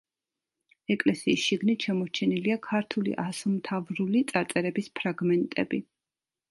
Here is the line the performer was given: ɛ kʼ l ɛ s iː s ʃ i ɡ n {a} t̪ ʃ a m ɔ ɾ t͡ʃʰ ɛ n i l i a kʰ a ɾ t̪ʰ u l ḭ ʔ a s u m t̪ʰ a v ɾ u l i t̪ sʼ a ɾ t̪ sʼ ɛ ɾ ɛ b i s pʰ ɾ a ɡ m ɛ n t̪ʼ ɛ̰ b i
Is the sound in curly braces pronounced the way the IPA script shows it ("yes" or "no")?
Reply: no